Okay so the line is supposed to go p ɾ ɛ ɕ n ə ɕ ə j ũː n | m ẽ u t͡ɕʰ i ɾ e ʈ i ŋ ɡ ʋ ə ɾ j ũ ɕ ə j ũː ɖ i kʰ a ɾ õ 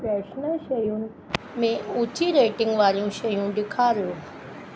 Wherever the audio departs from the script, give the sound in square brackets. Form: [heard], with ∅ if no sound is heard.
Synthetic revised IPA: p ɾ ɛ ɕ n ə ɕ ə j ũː n | m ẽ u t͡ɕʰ i ɾ e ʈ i ŋ ɡ ʋ [a] ɾ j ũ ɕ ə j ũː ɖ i kʰ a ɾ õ